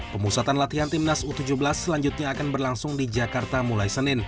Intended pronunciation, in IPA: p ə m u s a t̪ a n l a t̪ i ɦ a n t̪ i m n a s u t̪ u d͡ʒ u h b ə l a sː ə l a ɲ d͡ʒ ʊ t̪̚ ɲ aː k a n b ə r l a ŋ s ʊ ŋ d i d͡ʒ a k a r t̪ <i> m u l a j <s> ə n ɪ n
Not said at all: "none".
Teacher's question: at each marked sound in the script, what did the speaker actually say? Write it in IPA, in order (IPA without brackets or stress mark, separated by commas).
a, s